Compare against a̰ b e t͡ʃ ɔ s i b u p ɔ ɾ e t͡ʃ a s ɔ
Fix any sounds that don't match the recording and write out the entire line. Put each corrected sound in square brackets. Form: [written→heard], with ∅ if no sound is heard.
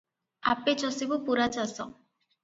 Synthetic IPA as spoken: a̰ [b→p] e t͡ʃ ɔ s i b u p [ɔ→u] ɾ [e→a] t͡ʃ a s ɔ